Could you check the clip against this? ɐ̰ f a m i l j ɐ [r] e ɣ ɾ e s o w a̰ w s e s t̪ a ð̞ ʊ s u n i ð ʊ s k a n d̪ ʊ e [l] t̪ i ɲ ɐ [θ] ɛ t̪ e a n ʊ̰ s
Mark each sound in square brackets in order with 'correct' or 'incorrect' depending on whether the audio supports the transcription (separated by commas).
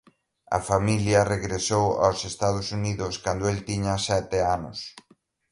correct, correct, incorrect